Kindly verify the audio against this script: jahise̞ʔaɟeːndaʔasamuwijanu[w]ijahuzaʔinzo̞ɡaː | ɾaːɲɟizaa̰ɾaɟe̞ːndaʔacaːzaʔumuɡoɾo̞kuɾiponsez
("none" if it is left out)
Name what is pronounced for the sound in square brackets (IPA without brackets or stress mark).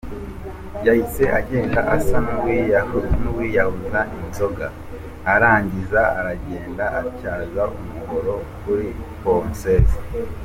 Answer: w